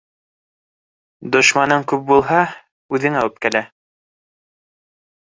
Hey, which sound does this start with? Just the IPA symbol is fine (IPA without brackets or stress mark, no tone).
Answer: d̪